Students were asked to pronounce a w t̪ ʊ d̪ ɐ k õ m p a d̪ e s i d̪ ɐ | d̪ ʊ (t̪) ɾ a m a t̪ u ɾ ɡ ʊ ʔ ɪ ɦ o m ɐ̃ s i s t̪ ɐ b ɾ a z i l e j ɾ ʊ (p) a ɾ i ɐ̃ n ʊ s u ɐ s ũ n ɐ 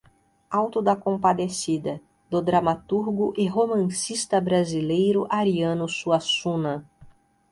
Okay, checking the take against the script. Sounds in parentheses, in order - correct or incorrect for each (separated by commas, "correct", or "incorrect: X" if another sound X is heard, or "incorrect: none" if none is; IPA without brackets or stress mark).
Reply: incorrect: d̪, incorrect: ʔ